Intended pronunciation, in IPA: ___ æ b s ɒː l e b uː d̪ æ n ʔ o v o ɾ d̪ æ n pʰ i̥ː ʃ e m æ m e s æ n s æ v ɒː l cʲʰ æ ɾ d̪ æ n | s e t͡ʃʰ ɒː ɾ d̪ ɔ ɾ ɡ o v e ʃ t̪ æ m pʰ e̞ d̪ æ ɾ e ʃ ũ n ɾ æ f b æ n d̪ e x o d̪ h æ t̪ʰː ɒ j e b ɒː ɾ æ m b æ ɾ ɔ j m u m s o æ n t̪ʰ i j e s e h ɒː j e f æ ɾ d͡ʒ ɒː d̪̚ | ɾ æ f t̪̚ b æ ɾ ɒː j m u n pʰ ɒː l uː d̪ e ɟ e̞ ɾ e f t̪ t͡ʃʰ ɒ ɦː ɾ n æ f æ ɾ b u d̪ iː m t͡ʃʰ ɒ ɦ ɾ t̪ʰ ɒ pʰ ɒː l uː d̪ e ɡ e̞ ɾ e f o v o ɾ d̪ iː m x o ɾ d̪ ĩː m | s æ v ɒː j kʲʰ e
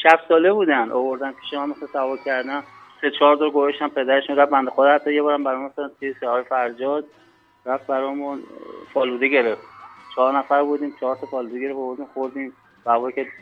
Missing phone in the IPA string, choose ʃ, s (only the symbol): ʃ